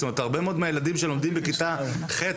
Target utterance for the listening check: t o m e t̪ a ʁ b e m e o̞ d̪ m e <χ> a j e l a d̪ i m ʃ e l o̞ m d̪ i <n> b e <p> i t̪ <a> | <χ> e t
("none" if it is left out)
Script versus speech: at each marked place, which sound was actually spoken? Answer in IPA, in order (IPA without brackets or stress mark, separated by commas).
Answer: none, m, k, a, χ